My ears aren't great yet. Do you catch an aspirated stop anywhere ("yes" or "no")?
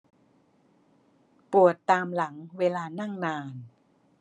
no